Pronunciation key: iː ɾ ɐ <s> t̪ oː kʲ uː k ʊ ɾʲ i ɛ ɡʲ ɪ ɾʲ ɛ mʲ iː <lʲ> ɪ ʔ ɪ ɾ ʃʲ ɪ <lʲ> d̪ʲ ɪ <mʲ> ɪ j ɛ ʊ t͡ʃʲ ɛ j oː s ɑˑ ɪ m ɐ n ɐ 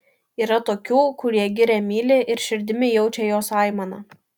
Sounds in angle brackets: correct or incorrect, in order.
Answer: incorrect, correct, incorrect, correct

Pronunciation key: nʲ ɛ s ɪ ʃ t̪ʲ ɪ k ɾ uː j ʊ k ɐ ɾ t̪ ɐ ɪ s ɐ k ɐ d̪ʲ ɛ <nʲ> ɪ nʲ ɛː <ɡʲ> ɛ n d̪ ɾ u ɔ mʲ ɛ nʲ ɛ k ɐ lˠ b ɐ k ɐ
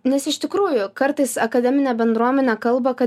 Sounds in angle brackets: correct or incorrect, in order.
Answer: incorrect, incorrect

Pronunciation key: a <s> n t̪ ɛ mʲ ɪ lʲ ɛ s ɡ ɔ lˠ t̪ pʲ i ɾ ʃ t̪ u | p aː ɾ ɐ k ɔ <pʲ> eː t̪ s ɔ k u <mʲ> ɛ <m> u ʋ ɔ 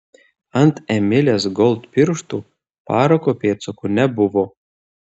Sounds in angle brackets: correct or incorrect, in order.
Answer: incorrect, correct, incorrect, incorrect

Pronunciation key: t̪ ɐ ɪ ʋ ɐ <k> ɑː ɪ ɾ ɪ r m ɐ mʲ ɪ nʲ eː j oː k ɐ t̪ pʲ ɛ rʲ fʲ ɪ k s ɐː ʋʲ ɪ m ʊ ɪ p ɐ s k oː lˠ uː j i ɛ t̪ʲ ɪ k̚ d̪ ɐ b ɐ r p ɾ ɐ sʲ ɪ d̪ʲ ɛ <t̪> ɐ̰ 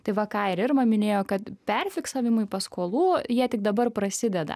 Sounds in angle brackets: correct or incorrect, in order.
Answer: correct, incorrect

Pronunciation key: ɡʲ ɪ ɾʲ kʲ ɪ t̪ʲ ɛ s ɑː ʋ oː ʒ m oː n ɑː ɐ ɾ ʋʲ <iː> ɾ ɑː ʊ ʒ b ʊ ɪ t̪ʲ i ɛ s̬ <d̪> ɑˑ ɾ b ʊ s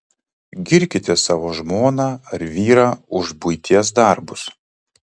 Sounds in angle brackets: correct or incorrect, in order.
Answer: correct, correct

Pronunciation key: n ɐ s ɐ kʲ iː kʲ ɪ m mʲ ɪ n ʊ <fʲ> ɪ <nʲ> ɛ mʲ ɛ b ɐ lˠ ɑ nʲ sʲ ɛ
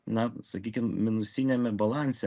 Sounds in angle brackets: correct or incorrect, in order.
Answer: incorrect, correct

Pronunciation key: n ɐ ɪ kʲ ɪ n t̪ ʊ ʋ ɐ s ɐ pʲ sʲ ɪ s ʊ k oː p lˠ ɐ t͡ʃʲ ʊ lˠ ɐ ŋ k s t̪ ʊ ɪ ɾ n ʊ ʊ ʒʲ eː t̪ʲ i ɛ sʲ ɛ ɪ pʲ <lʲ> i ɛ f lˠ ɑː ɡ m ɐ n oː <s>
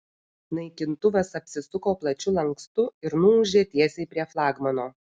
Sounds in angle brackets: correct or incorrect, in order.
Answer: incorrect, incorrect

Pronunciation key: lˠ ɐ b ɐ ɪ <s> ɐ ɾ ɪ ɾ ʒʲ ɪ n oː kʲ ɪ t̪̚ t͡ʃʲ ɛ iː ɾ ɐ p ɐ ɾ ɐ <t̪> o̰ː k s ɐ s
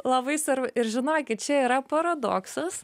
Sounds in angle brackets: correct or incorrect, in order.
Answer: correct, incorrect

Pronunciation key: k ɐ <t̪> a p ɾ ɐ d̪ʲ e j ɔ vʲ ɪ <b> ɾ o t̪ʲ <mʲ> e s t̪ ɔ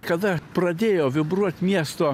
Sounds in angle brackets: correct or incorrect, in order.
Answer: incorrect, correct, correct

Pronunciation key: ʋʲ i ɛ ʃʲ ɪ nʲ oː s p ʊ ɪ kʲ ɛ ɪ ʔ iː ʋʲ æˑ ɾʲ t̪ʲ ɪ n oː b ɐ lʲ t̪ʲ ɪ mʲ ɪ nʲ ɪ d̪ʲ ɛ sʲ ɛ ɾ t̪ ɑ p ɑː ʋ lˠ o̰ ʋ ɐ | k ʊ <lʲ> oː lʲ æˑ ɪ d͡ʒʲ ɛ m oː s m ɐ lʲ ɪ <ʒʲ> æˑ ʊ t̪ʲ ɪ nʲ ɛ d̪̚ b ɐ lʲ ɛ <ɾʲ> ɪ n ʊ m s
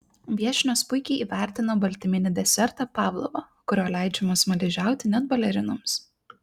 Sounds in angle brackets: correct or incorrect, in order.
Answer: incorrect, correct, correct

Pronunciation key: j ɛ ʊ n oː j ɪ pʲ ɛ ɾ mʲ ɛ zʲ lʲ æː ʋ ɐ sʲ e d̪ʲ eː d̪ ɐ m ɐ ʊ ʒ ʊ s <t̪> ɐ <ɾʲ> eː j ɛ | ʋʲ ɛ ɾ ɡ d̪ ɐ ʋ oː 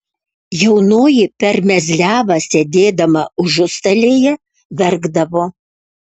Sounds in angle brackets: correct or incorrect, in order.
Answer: correct, incorrect

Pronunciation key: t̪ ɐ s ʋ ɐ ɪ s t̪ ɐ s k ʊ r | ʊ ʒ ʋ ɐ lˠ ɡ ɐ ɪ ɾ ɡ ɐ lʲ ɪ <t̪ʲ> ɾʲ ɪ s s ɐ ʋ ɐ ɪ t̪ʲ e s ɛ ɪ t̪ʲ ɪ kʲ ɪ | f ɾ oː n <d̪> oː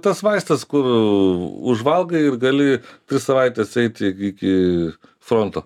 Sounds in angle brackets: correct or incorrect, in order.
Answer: correct, incorrect

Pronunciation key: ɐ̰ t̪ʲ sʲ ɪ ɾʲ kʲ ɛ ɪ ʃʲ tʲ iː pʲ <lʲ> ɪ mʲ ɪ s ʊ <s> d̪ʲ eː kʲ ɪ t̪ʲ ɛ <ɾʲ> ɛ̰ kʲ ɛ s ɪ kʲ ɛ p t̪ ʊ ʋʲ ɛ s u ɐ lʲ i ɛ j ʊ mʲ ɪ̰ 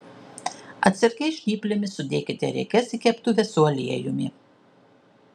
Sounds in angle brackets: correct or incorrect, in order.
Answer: correct, incorrect, correct

